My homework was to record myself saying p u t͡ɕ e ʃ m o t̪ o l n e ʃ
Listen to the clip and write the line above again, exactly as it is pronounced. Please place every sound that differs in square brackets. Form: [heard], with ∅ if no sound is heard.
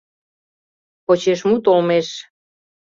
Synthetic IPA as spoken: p [o] t͡ɕ e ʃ m [u] t̪ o l [m] e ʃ